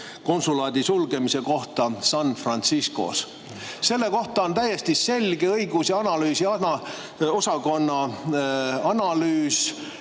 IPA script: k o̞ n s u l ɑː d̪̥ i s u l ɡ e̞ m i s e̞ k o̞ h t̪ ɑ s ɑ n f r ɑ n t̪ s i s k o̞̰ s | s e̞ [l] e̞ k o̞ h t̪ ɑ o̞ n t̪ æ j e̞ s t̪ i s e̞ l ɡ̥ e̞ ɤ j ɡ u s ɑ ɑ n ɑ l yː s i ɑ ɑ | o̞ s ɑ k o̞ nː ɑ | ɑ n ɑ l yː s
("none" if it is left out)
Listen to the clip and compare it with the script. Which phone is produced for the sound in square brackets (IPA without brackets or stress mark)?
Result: lː